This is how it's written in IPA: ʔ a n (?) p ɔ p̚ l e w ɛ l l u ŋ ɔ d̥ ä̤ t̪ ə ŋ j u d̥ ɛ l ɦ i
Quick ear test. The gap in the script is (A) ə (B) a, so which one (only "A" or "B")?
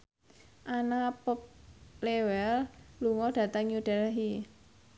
B